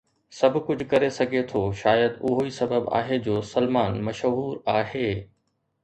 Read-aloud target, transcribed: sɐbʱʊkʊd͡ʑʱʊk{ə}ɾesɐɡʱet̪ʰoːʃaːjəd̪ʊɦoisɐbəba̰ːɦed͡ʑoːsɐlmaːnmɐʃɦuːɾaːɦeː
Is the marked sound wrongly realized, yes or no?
yes